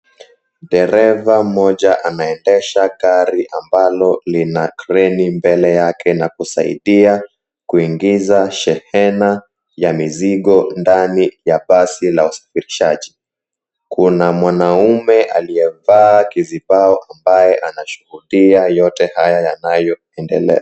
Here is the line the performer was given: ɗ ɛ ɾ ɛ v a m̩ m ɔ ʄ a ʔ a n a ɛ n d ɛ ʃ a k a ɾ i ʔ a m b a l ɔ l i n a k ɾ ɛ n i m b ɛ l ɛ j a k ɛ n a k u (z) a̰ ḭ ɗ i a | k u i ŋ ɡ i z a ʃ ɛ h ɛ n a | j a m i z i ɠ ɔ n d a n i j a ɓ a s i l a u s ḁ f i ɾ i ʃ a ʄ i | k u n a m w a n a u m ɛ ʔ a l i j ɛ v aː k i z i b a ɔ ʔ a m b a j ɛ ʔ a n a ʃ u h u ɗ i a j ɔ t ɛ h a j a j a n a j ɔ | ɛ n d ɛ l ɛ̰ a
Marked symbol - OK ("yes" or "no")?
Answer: no